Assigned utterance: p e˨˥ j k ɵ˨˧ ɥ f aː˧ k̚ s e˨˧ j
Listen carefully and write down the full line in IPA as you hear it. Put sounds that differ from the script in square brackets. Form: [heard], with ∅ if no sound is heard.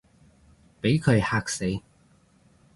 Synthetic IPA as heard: p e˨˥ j [kʰ] ɵ˨˧ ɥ [h] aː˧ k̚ s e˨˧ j